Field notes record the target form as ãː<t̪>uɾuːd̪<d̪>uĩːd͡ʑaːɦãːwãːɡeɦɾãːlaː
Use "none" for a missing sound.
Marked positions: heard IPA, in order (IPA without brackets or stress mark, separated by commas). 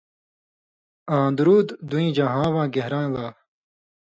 d̪, d̪